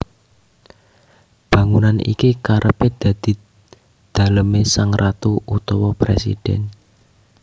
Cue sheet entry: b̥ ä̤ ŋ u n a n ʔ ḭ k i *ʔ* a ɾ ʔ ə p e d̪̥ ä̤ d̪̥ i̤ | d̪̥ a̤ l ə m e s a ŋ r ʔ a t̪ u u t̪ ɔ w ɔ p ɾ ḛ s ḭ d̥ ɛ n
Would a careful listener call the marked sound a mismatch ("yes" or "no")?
yes